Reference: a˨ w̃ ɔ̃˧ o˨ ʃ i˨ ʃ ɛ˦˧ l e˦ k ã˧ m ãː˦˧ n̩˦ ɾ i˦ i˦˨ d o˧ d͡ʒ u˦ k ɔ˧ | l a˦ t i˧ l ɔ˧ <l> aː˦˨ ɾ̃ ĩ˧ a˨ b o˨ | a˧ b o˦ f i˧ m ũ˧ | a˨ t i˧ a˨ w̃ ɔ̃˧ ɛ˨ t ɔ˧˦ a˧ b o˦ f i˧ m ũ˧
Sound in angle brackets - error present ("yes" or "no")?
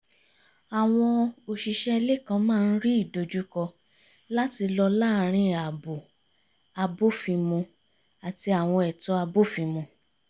no